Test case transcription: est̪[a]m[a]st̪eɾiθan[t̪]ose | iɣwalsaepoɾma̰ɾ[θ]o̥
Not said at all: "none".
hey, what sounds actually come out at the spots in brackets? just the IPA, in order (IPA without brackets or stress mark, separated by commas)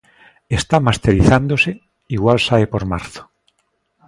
a, a, d̪, θ